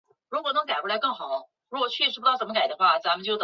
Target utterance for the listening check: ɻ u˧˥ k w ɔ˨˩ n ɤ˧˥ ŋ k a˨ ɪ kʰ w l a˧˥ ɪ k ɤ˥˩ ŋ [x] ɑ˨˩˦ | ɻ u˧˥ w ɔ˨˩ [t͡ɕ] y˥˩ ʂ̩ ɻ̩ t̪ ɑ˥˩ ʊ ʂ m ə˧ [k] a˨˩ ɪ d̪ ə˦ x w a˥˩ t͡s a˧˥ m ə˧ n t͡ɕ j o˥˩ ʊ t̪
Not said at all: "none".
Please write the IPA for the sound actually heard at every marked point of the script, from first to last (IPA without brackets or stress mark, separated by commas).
x, t͡ɕʰ, k